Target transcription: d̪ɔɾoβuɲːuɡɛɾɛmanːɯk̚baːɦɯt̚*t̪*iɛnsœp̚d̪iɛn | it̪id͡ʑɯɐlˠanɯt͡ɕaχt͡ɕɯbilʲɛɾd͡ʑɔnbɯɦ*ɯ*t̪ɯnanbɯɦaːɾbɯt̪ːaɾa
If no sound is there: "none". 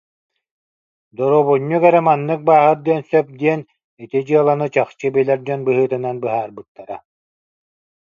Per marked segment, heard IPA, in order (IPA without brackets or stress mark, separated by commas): d̪, ɯː